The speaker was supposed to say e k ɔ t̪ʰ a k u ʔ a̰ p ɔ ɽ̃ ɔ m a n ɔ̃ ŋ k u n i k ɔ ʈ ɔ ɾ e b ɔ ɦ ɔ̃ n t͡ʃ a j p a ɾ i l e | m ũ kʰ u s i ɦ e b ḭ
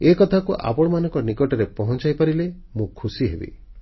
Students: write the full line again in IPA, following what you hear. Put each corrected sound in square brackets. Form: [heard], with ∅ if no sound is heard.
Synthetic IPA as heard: e k ɔ t̪ʰ a k u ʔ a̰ p ɔ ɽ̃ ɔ m a n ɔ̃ ŋ k [ɔ] n i k ɔ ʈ ɔ ɾ e [p] ɔ ɦ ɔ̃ n t͡ʃ a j p a ɾ i l e | m ũ kʰ u s i ɦ e b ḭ

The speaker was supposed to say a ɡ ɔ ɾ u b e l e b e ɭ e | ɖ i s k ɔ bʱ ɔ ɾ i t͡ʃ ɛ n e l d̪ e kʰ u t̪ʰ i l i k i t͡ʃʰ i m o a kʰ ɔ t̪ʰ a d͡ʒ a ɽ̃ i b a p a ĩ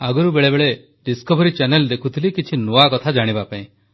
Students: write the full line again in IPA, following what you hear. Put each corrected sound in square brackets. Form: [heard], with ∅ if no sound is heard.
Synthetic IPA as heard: a ɡ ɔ ɾ u b e [ɭ] e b e ɭ e | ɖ i s k ɔ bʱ ɔ ɾ i t͡ʃ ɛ n e l d̪ e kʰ u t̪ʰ i l i k i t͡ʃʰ i [n] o a [k] ɔ t̪ʰ a d͡ʒ a ɽ̃ i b a p a ĩ

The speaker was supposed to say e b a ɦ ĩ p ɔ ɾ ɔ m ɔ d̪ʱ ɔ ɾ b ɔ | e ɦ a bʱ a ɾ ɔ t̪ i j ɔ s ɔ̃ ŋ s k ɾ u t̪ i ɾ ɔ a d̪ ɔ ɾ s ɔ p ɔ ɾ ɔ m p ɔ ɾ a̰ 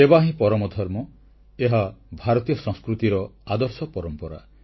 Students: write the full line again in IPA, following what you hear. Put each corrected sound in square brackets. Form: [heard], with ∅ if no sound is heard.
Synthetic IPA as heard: e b a ɦ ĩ p ɔ ɾ ɔ m ɔ d̪ʱ ɔ ɾ [m] ɔ | e ɦ a bʱ a ɾ ɔ t̪ i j ɔ s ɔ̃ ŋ s k ɾ u t̪ i ɾ ɔ a d̪ ɔ ɾ s ɔ p ɔ ɾ ɔ m p ɔ ɾ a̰

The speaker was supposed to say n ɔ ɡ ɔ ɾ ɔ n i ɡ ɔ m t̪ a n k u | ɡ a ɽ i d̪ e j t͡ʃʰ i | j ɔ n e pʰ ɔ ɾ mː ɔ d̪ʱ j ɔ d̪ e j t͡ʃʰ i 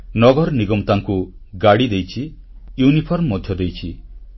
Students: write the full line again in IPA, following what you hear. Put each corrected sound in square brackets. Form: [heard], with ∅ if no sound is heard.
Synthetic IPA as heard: n ɔ ɡ ɔ ɾ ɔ n i ɡ ɔ m t̪ a [ŋ] k u | ɡ a ɽ i d̪ e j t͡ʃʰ i | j [u] n [i] pʰ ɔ ɾ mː ɔ d̪ʱ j ɔ d̪ e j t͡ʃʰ i

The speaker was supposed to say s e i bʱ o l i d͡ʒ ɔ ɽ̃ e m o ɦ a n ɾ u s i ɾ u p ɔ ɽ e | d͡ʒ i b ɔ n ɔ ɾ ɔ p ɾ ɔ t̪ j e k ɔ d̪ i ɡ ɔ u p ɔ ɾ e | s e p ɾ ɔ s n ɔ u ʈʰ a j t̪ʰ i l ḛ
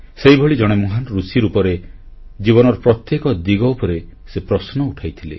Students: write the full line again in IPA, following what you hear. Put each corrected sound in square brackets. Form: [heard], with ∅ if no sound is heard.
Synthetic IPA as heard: s e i bʱ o [ɭ] i d͡ʒ ɔ ɽ̃ e m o ɦ a n ɾ u s i ɾ u p ɔ [ɾ] e | d͡ʒ i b ɔ n ɔ ɾ ɔ p ɾ ɔ t̪ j e k ɔ d̪ i ɡ ɔ u p ɔ ɾ e | s e p ɾ ɔ s n ɔ u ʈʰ a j t̪ʰ i l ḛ

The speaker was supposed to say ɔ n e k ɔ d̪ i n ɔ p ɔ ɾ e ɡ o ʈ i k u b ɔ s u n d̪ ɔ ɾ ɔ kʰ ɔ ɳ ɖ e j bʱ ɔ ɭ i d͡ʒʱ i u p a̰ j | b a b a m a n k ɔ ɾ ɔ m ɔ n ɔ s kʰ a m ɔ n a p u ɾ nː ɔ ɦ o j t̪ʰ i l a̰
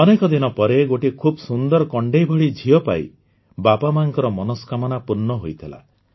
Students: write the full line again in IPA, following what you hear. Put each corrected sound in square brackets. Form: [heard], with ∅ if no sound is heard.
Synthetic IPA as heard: ɔ n e k ɔ d̪ i n ɔ p ɔ ɾ e ɡ o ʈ i [kʰ] u b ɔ s u n d̪ ɔ ɾ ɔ [k] ɔ ɳ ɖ e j bʱ ɔ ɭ i d͡ʒʱ i [ɔ] p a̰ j | b a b a m a [ŋ] k ɔ ɾ ɔ m ɔ n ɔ s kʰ a m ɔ n a p u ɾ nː ɔ ɦ o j t̪ʰ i l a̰

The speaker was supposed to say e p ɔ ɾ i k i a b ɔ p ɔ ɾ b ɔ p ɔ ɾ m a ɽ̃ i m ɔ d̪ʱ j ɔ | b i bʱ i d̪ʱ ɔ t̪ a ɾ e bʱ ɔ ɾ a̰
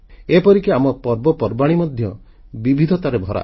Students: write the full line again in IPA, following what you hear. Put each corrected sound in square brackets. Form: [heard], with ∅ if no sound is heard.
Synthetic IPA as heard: e p ɔ ɾ i k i a [m] ɔ p ɔ ɾ b ɔ p ɔ ɾ [b] a ɽ̃ i m ɔ d̪ʱ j ɔ | b i bʱ i d̪ʱ ɔ t̪ a ɾ e bʱ ɔ ɾ a̰

